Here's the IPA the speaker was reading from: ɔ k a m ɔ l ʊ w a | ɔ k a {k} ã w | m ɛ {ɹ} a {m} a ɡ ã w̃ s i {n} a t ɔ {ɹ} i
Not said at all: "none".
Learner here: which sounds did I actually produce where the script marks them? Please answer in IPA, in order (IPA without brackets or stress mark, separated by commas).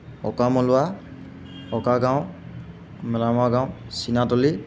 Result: ɡ, l, m, n, l